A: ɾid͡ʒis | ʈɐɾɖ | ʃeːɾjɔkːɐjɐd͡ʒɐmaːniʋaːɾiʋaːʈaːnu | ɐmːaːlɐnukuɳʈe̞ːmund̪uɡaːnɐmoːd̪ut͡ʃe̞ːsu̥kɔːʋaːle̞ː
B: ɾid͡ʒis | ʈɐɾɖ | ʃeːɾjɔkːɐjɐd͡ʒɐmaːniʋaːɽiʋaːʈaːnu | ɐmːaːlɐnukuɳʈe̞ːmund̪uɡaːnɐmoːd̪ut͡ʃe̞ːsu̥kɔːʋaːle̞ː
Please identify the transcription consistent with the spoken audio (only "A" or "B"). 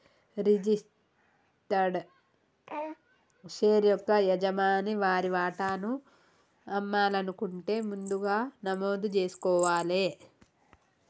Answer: A